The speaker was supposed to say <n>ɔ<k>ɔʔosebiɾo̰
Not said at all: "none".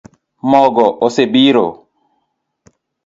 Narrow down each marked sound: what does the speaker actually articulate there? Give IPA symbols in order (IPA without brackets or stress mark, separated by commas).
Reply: m, ɡ